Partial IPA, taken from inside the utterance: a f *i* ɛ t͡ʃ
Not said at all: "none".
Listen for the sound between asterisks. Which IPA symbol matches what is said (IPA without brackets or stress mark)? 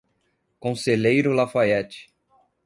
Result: a